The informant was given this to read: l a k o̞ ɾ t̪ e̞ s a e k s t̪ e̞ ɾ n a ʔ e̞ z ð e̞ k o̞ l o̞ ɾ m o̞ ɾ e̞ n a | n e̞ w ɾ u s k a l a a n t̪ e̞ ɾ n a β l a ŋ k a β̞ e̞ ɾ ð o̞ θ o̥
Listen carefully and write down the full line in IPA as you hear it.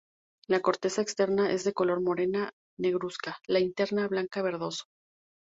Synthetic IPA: l a k o̞ ɾ t̪ e̞ s a e k s t̪ e̞ ɾ n a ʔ e̞ z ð e̞ k o̞ l o̞ ɾ m o̞ ɾ e̞ n a | n e̞ ɣ ɾ u s k a l a i n t̪ e̞ ɾ n a β l a ŋ k a β̞ e̞ ɾ ð o̞ s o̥

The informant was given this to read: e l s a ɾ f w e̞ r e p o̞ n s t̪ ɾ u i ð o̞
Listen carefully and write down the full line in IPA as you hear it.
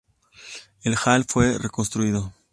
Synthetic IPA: e l x a l f w e̞ r e k o̞ n s t̪ ɾ u i ð o̞

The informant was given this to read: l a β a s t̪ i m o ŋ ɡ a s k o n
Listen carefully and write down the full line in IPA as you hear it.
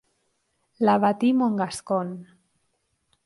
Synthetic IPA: l a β a t̪ i m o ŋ ɡ a s k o n

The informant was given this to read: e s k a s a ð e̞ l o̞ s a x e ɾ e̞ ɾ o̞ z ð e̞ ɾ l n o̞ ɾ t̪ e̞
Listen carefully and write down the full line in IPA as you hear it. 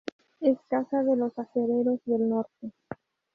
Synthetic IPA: e s k a s a ð e̞ l o̞ s a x e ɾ e̞ ɾ o̞ z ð e̞ l n o̞ ɾ t̪ e̞

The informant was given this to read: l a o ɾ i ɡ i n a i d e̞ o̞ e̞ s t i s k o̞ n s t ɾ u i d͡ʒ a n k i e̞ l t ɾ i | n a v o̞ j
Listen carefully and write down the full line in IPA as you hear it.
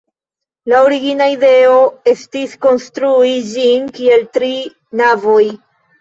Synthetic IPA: l a o ɾ i ɡ i n a i d e̞ o̞ e̞ s t i s k o̞ n s t ɾ u i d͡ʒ i n k i e̞ l t ɾ i | n a v o̞ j

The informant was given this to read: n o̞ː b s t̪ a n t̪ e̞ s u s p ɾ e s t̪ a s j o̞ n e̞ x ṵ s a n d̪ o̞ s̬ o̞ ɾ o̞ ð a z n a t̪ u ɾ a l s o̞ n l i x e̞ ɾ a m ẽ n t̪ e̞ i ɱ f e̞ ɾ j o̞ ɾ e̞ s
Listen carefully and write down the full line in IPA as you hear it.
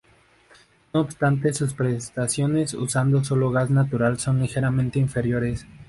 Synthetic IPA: n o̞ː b s t̪ a n t̪ e̞ s u s p ɾ e s t̪ a s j o̞ n e̞ s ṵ s a n d̪ o̞ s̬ o̞ l o̞ ɣ a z n a t̪ u ɾ a l s o̞ n l i x e̞ ɾ a m ẽ n t̪ e̞ i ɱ f e̞ ɾ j o̞ ɾ e̞ s

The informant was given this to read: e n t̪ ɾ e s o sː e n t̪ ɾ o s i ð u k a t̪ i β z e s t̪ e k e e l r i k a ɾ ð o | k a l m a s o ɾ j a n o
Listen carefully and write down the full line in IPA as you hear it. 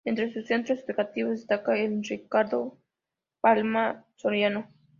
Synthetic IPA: e n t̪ ɾ e s u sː e n t̪ ɾ o s e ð u k a t̪ i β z e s t̪ a k a e l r i k a ɾ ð o | p a l m a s o ɾ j a n o

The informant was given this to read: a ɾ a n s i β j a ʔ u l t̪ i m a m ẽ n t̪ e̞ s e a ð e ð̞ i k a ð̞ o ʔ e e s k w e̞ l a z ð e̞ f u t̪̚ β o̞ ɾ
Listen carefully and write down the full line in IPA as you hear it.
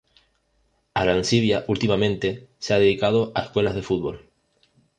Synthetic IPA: a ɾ a n s i β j a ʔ u l t̪ i m a m ẽ n t̪ e̞ s e a ð e ð̞ i k a ð̞ o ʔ a e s k w e̞ l a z ð e̞ f u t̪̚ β o̞ l

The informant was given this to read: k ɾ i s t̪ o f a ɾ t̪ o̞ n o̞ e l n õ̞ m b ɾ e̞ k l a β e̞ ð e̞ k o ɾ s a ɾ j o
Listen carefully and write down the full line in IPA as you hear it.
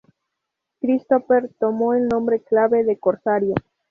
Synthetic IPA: k ɾ i s t̪ o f e ɾ t̪ o̞ m o̞ e l n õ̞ m b ɾ e̞ k l a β e̞ ð e̞ k o ɾ s a ɾ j o

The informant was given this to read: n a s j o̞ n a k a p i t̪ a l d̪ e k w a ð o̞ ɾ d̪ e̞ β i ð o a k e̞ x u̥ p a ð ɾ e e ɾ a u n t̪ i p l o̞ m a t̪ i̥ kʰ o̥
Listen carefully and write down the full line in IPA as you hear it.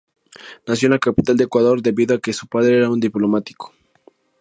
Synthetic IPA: n a s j o̞ n a k a p i t̪ a l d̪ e k w a ð o̞ ɾ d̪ e̞ β i ð o a k e̞ s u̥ p a ð ɾ e e ɾ a u n d̪ i p l o̞ m a t̪ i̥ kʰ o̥

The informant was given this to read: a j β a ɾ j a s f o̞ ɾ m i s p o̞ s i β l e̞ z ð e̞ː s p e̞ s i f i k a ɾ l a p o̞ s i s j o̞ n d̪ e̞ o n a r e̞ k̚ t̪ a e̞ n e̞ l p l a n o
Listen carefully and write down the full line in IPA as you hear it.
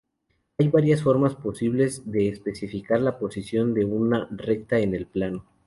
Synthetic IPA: a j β a ɾ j a s f o̞ ɾ m a s p o̞ s i β l e̞ z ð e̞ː s p e̞ s i f i k a ɾ l a p o̞ s i s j o̞ n d̪ e̞ u n a r e̞ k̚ t̪ a e̞ n e̞ l p l a n o

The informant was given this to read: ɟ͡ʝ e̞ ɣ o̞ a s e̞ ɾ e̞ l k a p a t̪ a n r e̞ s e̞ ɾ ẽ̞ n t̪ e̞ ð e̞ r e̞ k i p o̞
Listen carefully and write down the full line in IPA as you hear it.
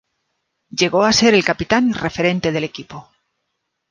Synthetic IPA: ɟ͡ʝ e̞ ɣ o̞ a s e̞ ɾ e̞ l k a p i t̪ a n r e̞ f e̞ ɾ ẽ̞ n t̪ e̞ ð e̞ l e̞ k i p o̞

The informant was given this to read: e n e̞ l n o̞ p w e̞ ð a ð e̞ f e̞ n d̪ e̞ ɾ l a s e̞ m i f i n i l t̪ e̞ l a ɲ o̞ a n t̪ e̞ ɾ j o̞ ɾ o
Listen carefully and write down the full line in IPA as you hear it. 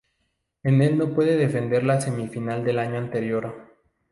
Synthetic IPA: e n e̞ l n o̞ p w e̞ ð e ð e̞ f e̞ n d̪ e̞ ɾ l a s e̞ m i f i n a l d̪ e̞ l a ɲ o̞ a n t̪ e̞ ɾ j o̞ ɾ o

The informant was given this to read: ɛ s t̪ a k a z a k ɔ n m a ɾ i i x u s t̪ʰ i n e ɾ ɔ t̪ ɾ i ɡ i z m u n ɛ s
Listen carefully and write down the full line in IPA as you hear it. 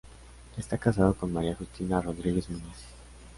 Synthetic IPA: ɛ s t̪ a k a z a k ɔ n m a ɾ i a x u s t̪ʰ i n a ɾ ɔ d̪ ɾ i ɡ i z m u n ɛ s

